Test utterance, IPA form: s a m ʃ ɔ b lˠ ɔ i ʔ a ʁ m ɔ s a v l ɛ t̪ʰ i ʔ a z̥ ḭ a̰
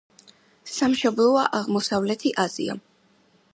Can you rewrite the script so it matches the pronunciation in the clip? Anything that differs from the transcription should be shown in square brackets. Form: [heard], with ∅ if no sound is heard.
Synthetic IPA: s a m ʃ ɔ b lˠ ɔ [a] ʔ a ʁ m ɔ s a v l ɛ t̪ʰ i ʔ a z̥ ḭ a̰